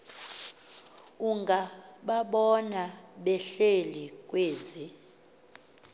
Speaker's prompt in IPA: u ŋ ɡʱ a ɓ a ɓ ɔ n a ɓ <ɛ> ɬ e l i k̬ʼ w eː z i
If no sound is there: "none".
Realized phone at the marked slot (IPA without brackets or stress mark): ɛ